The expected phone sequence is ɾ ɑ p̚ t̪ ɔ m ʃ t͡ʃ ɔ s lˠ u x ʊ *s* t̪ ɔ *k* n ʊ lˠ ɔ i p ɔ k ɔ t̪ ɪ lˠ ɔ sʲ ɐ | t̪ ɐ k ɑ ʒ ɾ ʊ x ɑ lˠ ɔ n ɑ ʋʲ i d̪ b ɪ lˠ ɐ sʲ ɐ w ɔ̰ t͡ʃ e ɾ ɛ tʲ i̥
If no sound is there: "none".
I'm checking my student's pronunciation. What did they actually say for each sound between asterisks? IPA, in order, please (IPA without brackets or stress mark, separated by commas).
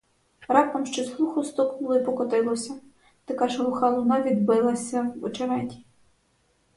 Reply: s, k